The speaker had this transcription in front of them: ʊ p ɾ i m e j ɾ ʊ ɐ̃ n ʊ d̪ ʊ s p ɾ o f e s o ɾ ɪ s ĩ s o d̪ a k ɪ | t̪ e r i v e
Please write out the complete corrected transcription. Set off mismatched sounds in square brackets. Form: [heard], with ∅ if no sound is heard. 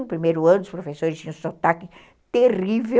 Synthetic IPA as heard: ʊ p ɾ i m e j ɾ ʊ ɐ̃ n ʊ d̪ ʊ s p ɾ o f e s o ɾ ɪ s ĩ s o [t̪] a k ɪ | t̪ e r i v e